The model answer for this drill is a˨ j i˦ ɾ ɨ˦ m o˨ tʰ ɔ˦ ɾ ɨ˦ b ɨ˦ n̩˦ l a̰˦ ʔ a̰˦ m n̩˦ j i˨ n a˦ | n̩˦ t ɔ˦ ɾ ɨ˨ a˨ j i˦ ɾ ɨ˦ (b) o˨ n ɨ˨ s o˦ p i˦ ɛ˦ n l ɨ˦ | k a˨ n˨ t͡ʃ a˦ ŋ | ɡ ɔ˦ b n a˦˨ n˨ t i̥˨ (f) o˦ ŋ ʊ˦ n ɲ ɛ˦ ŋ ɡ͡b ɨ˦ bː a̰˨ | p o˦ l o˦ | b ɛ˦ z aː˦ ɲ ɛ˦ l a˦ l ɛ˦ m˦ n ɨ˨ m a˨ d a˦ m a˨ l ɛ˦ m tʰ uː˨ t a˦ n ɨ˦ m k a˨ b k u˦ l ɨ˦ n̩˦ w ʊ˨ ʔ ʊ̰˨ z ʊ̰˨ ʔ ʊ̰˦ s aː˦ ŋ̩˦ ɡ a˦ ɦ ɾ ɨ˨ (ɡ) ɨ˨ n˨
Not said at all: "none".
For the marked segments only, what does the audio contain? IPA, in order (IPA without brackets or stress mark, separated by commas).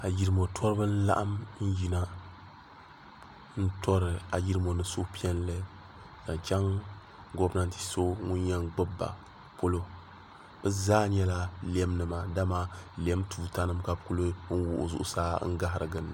m, s, ɡ